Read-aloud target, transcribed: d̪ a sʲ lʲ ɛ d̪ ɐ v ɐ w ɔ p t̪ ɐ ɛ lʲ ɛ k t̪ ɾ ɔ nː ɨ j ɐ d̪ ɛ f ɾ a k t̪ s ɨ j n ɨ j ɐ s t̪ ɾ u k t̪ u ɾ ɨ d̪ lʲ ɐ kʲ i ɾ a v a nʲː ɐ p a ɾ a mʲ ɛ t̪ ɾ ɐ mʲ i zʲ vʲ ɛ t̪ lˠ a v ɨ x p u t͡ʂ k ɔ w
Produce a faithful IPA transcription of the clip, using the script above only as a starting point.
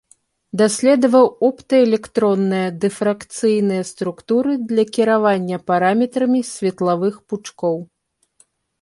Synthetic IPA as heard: d̪ a sʲ lʲ ɛ d̪ ɐ v ɐ w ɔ p t̪ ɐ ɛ lʲ ɛ k t̪ ɾ ɔ nː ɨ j ɐ d̪ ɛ f ɾ a k t̪ s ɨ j n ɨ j ɐ s t̪ ɾ u k t̪ u ɾ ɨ d̪ lʲ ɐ kʲ i ɾ a v a nʲː ɐ p a ɾ a mʲ ɛ t̪ ɾ ɐ mʲ i sʲ vʲ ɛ t̪ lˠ a v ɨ x p u t͡ʂ k ɔ w